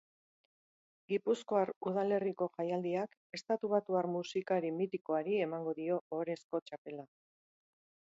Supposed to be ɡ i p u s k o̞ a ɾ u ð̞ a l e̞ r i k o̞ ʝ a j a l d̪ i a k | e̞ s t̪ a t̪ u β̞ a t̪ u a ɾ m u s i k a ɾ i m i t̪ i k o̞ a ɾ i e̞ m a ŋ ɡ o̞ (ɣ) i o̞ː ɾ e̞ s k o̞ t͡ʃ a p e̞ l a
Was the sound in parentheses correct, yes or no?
no